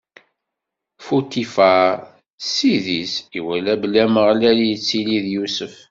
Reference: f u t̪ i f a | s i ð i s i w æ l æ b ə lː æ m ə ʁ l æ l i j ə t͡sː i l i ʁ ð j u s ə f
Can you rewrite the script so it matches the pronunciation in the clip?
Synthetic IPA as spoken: f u t̪ i f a | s i ð i s i w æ l æ b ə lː æ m ə ʁ l æ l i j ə t͡sː i l i ð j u s ə f